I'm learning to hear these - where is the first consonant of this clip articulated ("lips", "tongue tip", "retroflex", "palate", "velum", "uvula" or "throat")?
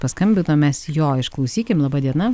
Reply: lips